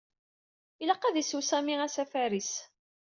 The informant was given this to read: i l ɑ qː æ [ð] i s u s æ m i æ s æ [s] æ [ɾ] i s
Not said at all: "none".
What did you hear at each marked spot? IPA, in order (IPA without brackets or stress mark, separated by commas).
ð, f, ɾ